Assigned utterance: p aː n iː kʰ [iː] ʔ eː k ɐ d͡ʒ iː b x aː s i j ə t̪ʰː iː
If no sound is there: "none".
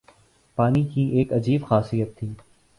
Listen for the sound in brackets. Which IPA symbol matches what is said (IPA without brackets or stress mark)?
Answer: iː